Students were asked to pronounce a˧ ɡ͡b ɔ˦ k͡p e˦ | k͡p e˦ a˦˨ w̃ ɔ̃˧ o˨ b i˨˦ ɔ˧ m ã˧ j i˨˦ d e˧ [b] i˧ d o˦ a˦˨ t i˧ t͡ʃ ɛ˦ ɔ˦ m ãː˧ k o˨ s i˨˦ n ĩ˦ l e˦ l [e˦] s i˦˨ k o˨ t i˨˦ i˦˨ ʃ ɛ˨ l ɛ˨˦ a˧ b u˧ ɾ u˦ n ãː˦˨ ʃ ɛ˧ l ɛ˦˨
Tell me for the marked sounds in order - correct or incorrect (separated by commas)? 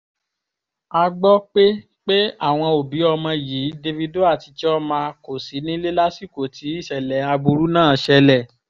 incorrect, incorrect